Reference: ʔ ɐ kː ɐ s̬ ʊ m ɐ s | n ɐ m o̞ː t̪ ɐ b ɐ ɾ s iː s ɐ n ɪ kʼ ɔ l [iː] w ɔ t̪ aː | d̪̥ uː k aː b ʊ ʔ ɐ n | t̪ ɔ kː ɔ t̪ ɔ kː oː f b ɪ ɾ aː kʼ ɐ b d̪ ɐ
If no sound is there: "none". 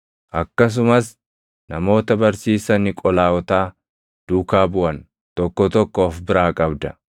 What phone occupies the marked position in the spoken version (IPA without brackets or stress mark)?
aː